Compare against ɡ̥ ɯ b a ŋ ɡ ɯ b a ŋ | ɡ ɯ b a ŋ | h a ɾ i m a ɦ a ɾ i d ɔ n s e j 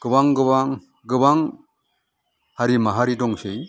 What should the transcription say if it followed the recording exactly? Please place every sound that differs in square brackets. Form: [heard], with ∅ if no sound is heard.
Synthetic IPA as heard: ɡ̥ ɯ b a ŋ ɡ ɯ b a ŋ | ɡ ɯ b a ŋ | h a ɾ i m a ɦ a ɾ i d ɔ [ŋ] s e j